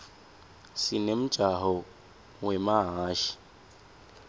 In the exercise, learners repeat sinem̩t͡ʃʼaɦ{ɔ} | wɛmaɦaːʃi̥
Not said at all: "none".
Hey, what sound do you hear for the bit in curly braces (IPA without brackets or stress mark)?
ɔ